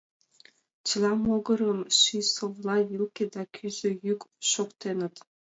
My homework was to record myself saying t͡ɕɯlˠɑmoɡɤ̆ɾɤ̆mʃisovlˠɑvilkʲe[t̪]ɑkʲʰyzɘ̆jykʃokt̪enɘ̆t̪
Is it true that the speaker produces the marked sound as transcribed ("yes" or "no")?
no